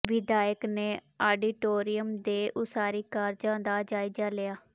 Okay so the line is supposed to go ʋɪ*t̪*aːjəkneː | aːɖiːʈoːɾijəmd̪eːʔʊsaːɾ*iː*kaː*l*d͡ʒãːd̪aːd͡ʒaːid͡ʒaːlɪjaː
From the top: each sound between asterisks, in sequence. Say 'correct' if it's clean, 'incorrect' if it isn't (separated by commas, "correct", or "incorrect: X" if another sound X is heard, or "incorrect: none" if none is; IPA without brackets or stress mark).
incorrect: d̪, correct, incorrect: ɾ